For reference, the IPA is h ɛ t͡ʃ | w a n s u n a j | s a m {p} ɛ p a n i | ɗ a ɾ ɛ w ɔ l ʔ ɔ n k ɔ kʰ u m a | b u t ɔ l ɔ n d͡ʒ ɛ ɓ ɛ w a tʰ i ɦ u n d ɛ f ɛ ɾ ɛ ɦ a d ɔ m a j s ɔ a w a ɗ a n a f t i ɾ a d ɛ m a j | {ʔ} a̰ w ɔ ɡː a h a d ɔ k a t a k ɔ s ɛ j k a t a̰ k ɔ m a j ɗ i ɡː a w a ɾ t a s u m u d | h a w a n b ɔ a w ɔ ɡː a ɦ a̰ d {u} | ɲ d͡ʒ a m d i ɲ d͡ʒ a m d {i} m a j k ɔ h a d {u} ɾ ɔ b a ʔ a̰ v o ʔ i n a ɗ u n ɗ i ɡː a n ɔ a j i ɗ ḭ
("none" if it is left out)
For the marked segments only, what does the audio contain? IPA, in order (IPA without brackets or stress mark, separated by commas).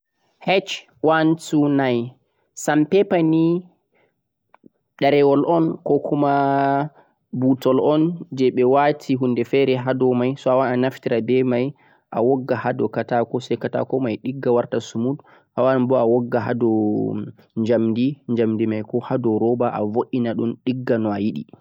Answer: p, ʔ, ɔ, i, ɔ